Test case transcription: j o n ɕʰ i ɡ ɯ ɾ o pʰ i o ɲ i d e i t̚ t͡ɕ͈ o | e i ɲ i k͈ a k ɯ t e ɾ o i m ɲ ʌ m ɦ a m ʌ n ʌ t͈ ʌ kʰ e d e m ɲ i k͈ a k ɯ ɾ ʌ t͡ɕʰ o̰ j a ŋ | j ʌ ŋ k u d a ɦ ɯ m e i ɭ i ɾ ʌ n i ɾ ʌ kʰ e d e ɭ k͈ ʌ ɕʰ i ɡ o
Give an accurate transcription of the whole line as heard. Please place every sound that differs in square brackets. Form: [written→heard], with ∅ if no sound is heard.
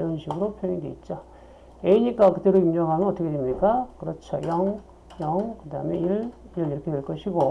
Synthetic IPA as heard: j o n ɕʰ i ɡ ɯ ɾ o pʰ [i→j] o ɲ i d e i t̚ t͡ɕ͈ o | e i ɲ i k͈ a k ɯ t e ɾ o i m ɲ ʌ [m→ŋ] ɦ a m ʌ n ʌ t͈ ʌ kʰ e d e m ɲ i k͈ a k ɯ ɾ ʌ t͡ɕʰ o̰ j [a→ʌ] ŋ | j ʌ ŋ k [u→ɯ] d a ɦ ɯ m e i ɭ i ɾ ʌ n i ɾ ʌ kʰ e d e ɭ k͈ ʌ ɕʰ i ɡ o